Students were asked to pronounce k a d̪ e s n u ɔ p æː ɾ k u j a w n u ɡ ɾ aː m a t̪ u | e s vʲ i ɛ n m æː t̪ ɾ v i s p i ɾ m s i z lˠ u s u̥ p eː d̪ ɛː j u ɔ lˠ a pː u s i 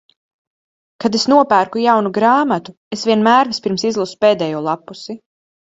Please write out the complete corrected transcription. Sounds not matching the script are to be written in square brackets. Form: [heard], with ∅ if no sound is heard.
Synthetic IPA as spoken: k a d̪ e s n u ɔ p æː ɾ k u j a w n u ɡ ɾ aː m a t̪ u | e s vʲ i ɛ n m æː [∅] ɾ v i s p i ɾ m s i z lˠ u s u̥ p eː d̪ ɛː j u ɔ lˠ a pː u s i